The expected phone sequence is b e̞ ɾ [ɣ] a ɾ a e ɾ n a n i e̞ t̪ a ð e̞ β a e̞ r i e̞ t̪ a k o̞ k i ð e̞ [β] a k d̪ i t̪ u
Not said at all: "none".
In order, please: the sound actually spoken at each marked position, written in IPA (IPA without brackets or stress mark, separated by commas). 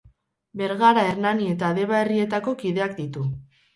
ɣ, none